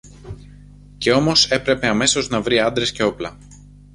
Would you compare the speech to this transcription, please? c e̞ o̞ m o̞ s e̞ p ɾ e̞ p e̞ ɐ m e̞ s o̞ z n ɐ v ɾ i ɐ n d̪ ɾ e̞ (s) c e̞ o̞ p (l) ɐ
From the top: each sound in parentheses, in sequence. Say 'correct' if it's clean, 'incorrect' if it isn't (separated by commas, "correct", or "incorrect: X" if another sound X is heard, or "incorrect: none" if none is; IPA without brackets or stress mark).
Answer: correct, correct